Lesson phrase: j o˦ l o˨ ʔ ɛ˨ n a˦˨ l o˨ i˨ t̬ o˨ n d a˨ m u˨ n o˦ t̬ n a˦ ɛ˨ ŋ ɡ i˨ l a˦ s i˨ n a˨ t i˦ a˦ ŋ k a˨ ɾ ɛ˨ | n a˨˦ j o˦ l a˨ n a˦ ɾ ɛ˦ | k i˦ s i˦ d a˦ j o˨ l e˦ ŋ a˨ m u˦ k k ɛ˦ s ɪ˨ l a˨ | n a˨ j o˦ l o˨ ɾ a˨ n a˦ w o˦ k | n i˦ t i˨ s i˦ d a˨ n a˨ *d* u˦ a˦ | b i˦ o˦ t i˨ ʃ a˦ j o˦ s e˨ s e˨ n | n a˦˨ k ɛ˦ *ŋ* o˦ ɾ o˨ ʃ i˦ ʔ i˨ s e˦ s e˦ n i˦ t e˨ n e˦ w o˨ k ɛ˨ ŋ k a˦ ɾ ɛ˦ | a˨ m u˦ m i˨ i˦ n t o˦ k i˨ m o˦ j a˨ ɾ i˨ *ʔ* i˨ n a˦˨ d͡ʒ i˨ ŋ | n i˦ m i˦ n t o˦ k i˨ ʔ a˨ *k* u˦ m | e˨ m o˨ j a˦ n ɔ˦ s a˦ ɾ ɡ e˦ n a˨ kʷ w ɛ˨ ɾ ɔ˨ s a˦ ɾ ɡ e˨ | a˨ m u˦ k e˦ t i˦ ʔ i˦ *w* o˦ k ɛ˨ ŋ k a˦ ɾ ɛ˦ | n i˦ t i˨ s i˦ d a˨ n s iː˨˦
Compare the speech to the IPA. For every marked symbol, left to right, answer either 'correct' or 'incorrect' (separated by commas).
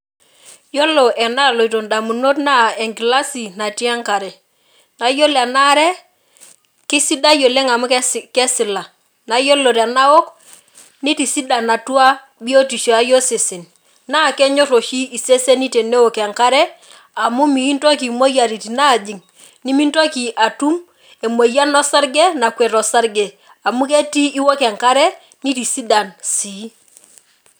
incorrect, incorrect, incorrect, incorrect, correct